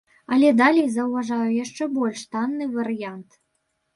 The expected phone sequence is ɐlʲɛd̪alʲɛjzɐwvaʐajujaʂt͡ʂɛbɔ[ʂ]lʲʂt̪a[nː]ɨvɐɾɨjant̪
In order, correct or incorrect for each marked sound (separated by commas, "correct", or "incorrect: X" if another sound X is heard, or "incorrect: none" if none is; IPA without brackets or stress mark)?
incorrect: none, correct